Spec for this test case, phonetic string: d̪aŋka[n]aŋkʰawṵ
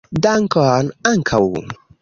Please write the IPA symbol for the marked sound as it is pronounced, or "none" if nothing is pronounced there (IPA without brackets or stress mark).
n